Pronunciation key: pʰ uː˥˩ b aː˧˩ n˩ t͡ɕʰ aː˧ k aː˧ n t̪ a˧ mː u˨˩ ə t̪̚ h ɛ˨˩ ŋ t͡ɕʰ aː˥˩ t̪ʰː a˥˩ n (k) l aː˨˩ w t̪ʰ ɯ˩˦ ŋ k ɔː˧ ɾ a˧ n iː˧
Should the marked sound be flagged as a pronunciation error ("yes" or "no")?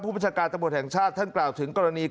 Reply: no